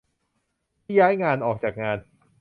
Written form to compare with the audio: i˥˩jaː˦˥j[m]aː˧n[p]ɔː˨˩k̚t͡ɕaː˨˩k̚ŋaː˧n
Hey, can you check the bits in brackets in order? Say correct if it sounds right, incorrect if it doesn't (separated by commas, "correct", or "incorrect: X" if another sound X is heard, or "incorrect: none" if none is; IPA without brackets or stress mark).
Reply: incorrect: ŋ, incorrect: ʔ